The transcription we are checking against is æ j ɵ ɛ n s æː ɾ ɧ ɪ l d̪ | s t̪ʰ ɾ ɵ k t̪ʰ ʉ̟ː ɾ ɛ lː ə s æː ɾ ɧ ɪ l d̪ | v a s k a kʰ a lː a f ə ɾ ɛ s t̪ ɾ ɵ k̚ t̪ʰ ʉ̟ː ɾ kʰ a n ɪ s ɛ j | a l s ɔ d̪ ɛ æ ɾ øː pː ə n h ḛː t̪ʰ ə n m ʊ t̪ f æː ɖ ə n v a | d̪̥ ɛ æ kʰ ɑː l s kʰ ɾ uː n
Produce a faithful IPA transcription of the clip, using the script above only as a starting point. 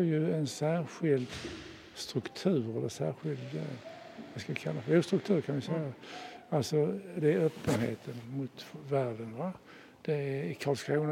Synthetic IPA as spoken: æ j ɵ ɛ n s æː ɾ ɧ ɪ l d̪ | s t̪ ɾ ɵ k t̪ʰ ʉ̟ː ɾ ɛ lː ə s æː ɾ ɧ ɪ l d̪ | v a s k a kʰ a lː a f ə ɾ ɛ s t̪ ɾ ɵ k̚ t̪ʰ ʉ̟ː ɾ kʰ a n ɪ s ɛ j | a l s ɔ d̪ ɛ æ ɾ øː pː ə n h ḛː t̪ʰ ə n m ʊ t̪ v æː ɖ ə n v a | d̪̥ ɛ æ kʰ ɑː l s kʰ ɾ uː n